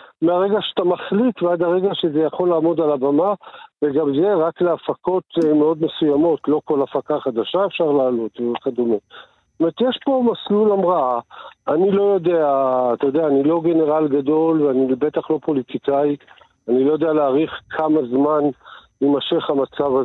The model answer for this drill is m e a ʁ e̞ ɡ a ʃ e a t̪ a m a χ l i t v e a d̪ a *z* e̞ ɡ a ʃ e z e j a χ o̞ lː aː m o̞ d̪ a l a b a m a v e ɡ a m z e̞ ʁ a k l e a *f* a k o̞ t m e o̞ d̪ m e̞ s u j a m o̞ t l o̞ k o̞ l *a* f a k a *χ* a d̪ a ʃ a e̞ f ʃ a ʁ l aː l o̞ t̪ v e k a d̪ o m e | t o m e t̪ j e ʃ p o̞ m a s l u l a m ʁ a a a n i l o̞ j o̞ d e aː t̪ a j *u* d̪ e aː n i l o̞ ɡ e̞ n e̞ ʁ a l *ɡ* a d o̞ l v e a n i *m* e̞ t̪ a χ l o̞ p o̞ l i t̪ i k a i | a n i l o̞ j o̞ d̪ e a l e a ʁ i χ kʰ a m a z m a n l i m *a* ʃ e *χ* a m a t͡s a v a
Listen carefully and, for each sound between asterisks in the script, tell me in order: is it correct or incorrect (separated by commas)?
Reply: incorrect, correct, correct, correct, incorrect, correct, incorrect, correct, correct